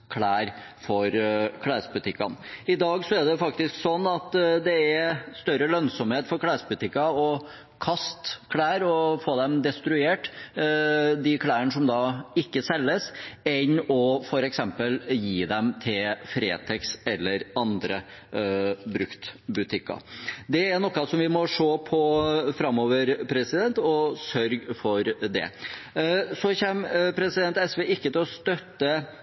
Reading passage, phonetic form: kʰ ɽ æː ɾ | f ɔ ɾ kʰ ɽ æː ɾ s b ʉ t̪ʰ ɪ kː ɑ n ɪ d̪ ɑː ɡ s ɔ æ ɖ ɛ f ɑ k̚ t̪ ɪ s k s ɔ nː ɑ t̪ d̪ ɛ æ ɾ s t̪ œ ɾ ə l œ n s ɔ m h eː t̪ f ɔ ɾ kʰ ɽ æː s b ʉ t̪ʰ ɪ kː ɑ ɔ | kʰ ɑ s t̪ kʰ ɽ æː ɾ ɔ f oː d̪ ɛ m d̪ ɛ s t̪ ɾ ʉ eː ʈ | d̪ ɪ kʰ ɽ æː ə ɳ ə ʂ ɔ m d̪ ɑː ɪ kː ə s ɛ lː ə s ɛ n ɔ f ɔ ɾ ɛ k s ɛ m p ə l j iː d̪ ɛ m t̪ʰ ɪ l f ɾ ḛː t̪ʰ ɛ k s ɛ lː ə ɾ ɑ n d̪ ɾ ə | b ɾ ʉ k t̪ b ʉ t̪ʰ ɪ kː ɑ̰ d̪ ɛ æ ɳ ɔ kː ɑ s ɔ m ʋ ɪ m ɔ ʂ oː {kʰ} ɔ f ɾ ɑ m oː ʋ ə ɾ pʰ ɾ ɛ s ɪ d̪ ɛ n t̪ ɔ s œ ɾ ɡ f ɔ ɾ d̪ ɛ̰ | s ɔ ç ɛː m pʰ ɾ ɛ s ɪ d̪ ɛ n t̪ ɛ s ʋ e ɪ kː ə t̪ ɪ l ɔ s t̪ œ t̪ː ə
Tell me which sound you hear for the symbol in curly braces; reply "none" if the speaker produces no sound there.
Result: pʰ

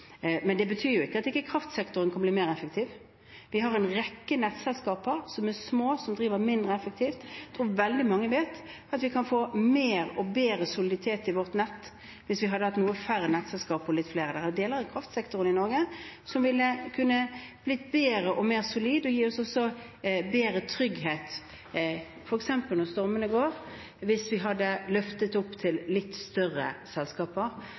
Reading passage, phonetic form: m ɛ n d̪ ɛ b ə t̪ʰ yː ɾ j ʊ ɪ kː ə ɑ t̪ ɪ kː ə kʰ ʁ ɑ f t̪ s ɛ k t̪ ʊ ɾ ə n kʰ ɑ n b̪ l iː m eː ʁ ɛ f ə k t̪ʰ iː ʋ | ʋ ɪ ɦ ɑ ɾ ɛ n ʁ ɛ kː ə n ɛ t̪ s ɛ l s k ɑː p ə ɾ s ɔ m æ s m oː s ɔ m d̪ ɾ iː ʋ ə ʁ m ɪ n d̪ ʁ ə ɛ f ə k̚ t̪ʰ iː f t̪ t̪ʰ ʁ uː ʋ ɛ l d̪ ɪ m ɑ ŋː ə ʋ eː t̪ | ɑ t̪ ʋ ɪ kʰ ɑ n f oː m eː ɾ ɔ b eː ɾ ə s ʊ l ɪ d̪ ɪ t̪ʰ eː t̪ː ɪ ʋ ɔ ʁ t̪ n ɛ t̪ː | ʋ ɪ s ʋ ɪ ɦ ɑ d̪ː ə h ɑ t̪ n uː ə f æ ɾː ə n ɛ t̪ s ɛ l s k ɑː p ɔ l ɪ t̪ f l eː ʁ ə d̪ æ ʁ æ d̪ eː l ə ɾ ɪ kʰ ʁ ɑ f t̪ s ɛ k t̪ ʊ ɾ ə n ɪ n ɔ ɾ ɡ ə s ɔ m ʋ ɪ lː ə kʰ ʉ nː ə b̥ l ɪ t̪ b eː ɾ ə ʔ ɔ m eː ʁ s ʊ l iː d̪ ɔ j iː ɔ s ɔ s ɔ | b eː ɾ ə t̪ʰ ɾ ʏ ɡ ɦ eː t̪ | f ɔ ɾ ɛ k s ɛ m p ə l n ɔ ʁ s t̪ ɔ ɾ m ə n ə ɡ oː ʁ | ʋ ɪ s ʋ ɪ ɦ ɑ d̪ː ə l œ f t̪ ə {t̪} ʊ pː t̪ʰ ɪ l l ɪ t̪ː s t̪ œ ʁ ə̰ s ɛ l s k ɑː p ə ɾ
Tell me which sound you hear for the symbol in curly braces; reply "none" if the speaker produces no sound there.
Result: t̪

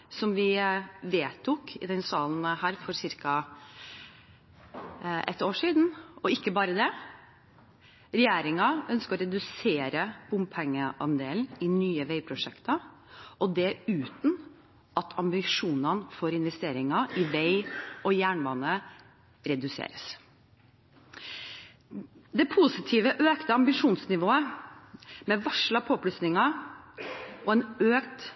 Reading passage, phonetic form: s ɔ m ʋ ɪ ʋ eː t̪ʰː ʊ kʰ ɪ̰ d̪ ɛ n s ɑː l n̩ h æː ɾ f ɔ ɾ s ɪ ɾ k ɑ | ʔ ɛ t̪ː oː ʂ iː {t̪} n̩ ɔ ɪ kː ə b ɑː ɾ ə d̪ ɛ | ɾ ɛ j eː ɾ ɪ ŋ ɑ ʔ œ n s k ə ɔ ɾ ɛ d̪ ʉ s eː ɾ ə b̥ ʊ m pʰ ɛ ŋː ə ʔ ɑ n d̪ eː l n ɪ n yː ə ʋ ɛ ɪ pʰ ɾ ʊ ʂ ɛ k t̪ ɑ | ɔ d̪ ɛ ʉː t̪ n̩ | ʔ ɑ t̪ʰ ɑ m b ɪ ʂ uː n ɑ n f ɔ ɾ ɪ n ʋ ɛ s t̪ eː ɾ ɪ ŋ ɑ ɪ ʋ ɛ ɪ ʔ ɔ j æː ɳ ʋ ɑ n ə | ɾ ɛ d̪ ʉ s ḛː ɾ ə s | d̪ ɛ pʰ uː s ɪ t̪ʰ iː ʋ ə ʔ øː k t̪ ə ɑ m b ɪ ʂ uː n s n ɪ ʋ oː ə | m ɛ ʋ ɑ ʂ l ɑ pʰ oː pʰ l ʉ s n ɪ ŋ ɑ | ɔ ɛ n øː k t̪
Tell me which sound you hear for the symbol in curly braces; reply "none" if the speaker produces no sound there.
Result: d̪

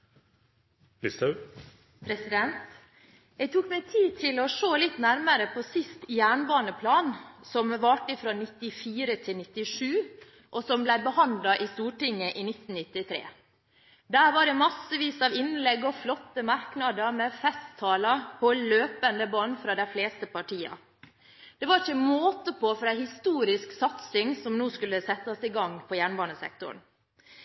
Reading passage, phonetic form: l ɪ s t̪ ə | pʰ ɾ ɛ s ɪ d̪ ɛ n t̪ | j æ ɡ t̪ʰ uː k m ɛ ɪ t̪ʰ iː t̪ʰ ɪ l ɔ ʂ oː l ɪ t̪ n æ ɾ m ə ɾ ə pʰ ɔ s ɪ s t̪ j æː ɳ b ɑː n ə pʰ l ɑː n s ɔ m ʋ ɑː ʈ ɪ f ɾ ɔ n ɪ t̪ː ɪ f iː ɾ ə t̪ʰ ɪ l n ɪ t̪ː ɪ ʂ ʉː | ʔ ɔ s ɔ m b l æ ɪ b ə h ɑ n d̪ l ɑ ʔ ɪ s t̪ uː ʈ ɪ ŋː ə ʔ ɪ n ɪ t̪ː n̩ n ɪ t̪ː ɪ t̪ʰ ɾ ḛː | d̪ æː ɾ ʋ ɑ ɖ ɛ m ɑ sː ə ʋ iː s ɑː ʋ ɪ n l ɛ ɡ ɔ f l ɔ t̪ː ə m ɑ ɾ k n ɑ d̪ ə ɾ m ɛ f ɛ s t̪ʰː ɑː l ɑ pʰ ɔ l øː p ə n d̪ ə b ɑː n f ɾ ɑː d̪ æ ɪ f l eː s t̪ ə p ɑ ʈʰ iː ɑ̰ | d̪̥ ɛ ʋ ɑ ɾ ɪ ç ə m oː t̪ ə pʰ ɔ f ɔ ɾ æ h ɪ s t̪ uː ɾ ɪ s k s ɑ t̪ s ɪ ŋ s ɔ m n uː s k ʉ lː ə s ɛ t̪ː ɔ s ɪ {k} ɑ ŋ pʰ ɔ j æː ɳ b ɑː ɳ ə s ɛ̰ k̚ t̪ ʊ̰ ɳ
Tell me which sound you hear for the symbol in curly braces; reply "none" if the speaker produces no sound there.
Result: ɡ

